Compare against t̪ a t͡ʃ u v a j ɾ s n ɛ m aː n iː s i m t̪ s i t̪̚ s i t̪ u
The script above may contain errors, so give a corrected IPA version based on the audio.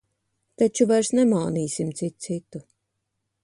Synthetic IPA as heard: t̪ a t͡ʃ u v a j ɾ s n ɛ m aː n iː s i m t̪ s i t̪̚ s i t̪ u